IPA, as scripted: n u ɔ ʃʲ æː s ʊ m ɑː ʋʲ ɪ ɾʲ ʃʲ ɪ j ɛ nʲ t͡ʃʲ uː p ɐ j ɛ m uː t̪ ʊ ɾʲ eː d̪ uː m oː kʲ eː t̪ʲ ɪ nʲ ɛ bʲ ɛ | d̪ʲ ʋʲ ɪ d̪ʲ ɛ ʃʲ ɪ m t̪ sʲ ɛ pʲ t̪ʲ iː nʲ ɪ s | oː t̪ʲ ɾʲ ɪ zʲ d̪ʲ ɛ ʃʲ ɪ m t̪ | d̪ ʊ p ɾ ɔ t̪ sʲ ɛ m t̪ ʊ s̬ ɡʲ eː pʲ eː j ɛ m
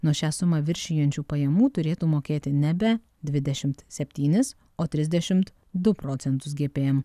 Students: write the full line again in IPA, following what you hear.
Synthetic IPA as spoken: n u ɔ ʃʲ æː s ʊ m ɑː ʋʲ ɪ ɾʲ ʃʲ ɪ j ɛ nʲ t͡ʃʲ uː p ɐ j ɛ m uː t̪ ʊ ɾʲ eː t̪ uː m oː kʲ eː t̪ʲ ɪ nʲ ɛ bʲ ɛ | d̪ʲ ʋʲ ɪ d̪ʲ ɛ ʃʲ ɪ m t̪ sʲ ɛ pʲ t̪ʲ iː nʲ ɪ s | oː t̪ʲ ɾʲ ɪ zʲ d̪ʲ ɛ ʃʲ ɪ m t̪ | d̪ ʊ p ɾ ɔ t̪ sʲ ɛ n t̪ ʊ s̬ ɡʲ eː pʲ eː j ɛ m